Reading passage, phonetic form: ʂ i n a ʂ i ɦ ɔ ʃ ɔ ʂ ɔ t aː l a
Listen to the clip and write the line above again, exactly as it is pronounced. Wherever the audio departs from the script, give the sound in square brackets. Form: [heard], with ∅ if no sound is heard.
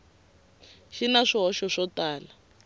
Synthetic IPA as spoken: [ʃ] i n a ʂ i ɦ ɔ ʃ ɔ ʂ ɔ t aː l a